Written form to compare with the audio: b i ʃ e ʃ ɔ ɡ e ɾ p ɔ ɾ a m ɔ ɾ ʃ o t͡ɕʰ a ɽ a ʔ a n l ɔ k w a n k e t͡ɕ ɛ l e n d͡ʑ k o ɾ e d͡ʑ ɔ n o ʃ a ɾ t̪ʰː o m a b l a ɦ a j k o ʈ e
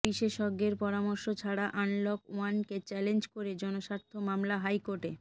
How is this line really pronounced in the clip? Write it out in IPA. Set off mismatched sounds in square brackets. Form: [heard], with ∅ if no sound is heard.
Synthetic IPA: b i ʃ e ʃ ɔ ɡ e ɾ p ɔ ɾ a m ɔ ɾ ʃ o t͡ɕʰ a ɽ a ʔ a n l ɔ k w a n k e t͡ɕ ɛ l e n d͡ʑ k o ɾ e d͡ʑ ɔ n o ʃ a ɾ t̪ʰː o m a [m] l a ɦ a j k o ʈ e